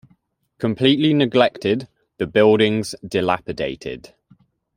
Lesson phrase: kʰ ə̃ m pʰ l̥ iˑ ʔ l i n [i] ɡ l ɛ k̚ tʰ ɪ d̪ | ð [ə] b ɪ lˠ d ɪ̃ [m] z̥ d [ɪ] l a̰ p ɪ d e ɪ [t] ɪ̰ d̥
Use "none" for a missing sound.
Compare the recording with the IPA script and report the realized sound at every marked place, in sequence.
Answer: ɪ, ə, ŋ, ɪ, tʰ

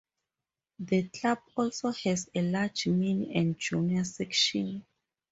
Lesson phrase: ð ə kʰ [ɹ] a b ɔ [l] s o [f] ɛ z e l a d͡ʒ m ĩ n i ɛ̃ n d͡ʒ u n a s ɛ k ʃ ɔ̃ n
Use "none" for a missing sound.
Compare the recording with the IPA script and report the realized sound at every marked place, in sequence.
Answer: l, l, h

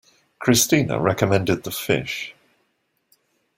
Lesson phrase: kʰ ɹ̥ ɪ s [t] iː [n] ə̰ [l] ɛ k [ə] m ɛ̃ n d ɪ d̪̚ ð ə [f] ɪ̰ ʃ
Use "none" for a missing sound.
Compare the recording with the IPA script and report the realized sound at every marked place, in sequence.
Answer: t, n, ɹ, ə, f

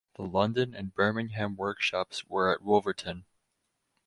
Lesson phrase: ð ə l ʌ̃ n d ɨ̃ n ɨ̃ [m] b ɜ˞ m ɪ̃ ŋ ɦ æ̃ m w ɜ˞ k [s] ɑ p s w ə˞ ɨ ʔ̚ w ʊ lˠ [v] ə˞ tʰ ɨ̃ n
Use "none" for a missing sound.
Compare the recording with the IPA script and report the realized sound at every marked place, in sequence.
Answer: n, ʃ, v

